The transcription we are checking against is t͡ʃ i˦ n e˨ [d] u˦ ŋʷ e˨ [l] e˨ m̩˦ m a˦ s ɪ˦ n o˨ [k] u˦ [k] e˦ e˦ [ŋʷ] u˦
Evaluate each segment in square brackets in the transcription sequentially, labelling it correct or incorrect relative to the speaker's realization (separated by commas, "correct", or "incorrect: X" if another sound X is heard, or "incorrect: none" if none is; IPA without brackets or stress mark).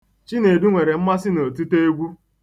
correct, incorrect: ɾ, incorrect: t, incorrect: t, incorrect: ɡʷ